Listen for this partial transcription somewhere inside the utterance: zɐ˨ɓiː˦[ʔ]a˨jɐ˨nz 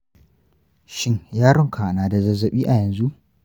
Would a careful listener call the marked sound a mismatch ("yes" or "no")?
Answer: no